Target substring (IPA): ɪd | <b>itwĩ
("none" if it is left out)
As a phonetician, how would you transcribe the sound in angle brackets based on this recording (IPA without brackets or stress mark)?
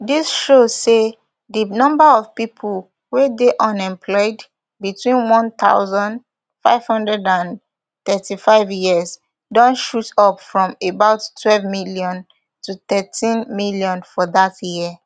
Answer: b